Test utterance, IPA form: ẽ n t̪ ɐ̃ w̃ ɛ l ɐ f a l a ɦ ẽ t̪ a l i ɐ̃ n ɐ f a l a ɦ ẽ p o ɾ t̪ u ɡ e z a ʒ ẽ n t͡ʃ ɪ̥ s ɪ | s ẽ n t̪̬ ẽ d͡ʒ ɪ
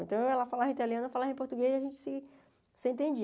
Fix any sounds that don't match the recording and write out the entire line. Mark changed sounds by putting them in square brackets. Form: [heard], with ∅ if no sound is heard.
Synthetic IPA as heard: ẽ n t̪ ɐ̃ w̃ ɛ l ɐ f a l a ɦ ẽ t̪ a l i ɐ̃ n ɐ f a l a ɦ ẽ p o ɾ t̪ u ɡ e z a ʒ ẽ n t͡ʃ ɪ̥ s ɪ | s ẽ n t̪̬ ẽ d͡ʒ [i]